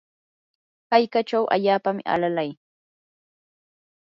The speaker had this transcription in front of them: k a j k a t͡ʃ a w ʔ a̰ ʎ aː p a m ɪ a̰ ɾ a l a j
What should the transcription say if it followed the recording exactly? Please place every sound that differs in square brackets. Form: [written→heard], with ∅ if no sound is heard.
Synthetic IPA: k a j k a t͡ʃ a w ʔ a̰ ʎ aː p a m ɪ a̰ [ɾ→l] a l a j

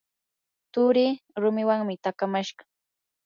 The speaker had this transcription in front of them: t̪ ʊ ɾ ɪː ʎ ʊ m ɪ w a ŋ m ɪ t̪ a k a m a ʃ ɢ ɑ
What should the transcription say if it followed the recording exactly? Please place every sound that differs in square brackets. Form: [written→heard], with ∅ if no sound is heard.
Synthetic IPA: t̪ ʊ ɾ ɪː [ʎ→ɾ] ʊ m ɪ w a ŋ m ɪ t̪ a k a m a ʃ ɢ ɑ

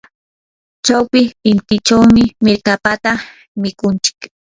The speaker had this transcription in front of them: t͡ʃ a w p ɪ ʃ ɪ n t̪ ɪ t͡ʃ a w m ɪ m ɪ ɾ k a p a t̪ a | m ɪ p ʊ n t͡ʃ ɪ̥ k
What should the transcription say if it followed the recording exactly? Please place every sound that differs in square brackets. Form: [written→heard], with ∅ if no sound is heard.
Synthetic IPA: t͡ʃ a w p ɪ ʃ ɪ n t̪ ɪ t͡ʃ a w m ɪ m ɪ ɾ k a p a t̪ a | m ɪ [p→k] ʊ n t͡ʃ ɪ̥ k

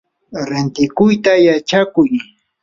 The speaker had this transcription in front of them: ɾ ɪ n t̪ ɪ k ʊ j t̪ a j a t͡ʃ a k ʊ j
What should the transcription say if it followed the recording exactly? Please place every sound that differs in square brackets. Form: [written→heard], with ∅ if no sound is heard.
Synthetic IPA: ɾ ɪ n t̪ ɪ k ʊ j t̪ a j a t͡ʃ a k ʊ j

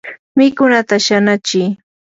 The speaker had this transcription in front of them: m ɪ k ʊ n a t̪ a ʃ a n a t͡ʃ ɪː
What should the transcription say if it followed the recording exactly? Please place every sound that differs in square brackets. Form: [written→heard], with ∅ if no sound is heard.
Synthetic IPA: m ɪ k ʊ n a t̪ a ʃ a n a t͡ʃ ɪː

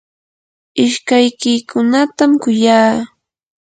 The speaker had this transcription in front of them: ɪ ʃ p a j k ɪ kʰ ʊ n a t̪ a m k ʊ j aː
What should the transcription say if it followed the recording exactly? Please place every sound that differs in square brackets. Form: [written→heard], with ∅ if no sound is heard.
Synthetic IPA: ɪ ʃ [p→k] a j k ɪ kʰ ʊ n a t̪ a m k ʊ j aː

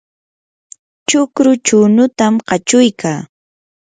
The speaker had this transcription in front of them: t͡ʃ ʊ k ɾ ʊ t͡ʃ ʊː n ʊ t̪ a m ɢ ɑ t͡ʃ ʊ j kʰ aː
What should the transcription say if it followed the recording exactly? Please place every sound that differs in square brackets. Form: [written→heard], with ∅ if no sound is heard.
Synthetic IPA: t͡ʃ ʊ k ɾ ʊ t͡ʃ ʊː n ʊ t̪ a m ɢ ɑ t͡ʃ ʊ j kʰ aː

